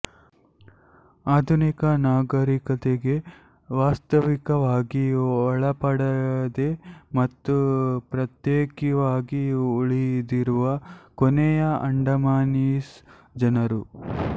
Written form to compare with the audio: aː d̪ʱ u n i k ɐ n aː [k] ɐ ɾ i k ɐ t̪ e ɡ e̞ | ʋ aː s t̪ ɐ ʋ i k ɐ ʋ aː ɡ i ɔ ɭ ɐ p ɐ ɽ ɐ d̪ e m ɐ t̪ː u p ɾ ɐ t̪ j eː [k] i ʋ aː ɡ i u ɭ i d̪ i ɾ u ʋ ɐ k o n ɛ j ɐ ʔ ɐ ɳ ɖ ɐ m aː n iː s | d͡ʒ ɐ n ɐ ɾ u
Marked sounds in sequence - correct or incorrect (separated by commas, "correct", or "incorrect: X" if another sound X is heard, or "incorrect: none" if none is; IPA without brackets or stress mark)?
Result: incorrect: ɡ, correct